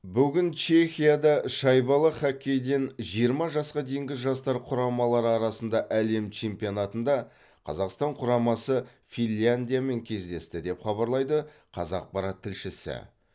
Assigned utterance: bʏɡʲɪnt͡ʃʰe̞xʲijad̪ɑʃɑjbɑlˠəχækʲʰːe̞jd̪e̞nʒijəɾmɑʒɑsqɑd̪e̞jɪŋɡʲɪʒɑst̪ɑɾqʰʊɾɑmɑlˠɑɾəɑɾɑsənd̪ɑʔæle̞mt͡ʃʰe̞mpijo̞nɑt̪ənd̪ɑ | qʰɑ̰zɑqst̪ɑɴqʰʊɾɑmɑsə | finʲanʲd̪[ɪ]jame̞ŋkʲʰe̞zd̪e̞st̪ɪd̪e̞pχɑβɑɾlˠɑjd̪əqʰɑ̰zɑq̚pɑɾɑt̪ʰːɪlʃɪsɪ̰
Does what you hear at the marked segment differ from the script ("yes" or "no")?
yes